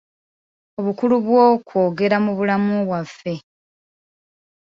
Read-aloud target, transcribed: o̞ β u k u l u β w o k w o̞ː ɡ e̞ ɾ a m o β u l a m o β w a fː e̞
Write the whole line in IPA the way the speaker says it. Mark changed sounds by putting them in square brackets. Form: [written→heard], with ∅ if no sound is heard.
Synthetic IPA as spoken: o̞ β u k u l u β w o k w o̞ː ɡ e̞ ɾ a m [o→u] β u l a m [o→u] β w a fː e̞